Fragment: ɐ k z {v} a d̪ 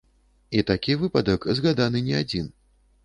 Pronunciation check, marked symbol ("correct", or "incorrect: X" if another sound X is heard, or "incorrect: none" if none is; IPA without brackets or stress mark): incorrect: ɣ